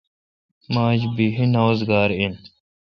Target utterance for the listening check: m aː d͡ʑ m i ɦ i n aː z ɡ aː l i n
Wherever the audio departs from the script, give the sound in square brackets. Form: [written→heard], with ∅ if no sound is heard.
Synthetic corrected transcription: m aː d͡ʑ [m→b] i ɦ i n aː z ɡ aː [l→ɾ] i n